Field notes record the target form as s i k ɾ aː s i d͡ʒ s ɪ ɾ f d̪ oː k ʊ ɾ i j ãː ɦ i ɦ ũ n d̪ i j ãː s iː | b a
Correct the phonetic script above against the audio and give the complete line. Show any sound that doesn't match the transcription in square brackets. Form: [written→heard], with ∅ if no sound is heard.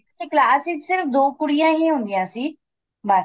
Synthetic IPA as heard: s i k [ɾ→l] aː s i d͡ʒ s ɪ ɾ f d̪ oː k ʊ [ɾ→ɽ] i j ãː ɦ i ɦ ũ n d̪ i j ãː s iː | b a